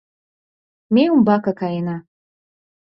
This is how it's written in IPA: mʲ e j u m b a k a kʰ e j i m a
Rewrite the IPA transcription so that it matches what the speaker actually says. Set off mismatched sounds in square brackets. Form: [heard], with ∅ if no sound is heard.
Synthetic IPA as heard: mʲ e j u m b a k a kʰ [a] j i [n] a